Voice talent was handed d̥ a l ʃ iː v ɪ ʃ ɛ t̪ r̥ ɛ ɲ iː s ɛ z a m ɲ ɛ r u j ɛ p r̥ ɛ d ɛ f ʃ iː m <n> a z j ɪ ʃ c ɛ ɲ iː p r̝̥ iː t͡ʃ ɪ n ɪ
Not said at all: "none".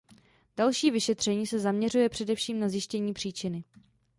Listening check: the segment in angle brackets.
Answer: n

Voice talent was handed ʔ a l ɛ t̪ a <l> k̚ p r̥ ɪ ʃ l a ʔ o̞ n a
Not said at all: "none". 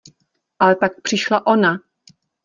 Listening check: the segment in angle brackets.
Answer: none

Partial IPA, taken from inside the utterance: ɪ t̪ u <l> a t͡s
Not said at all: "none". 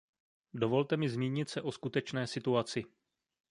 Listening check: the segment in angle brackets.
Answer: none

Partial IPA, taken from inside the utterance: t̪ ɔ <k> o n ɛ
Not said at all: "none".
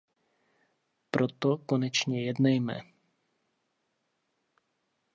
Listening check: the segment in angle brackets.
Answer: k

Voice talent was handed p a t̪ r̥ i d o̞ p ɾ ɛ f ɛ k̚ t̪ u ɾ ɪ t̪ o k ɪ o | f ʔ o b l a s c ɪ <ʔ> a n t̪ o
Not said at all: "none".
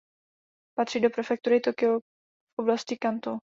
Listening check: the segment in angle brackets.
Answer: k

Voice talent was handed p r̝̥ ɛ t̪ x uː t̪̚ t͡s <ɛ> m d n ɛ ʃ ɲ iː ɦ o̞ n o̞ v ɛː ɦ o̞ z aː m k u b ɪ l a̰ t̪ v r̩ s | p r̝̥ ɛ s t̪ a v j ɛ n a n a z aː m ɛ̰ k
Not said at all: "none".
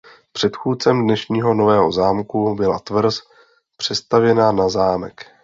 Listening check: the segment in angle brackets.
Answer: ɛ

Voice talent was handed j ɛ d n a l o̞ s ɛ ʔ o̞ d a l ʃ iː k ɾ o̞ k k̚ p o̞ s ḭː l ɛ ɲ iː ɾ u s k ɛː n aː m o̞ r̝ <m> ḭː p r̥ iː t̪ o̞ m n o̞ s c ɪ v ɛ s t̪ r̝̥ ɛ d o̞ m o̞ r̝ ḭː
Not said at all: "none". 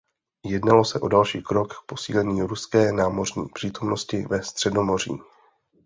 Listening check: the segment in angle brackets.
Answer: ɲ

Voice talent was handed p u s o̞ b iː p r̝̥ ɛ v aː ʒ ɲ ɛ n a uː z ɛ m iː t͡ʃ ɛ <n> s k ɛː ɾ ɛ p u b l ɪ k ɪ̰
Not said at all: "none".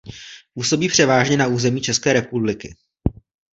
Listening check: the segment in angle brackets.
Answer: none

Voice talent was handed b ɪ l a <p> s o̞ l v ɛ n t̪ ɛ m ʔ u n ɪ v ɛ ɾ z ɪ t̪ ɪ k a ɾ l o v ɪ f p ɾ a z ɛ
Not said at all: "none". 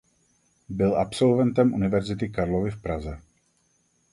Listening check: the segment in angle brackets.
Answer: p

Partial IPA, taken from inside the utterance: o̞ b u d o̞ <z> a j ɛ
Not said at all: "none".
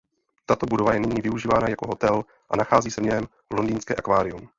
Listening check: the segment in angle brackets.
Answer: v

